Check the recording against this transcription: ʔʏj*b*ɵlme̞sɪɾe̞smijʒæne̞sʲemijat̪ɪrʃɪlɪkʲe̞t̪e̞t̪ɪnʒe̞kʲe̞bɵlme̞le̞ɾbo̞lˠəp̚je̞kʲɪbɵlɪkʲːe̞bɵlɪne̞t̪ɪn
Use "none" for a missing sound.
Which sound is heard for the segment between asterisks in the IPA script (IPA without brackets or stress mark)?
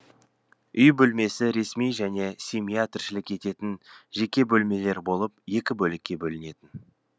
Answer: b